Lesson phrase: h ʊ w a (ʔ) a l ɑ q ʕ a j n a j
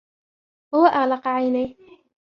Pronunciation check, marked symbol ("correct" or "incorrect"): correct